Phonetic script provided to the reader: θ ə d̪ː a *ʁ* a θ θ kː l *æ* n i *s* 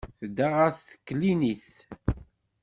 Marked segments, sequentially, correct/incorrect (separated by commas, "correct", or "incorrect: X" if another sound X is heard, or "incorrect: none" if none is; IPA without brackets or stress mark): correct, incorrect: i, incorrect: θ